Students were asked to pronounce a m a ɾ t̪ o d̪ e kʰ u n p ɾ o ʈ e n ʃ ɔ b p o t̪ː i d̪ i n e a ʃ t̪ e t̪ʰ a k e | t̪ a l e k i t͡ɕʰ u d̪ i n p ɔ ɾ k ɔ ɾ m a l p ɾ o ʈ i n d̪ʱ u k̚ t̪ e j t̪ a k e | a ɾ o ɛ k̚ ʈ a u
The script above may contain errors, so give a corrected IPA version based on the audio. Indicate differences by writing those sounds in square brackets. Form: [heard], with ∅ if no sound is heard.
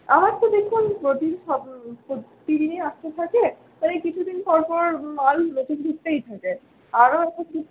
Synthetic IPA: a m a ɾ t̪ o d̪ e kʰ u n p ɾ o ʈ [i] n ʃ ɔ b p o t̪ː i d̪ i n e a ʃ t̪ e t̪ʰ a k e | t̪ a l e k i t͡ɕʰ u d̪ i n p ɔ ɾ [p] ɔ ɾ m a l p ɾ o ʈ i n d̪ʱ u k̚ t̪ e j [t̪ʰ] a k e | a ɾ o ɛ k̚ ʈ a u